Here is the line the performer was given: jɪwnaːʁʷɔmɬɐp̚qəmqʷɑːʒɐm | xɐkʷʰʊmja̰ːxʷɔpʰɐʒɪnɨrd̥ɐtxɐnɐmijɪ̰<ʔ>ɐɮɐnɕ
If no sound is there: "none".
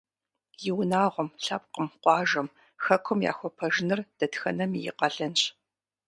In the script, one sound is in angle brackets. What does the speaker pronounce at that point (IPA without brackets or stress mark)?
q